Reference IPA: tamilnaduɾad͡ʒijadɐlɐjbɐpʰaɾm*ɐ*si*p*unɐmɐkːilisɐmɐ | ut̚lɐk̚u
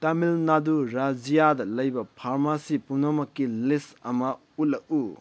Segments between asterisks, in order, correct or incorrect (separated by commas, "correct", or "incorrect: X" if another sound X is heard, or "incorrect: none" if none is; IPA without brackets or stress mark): incorrect: a, correct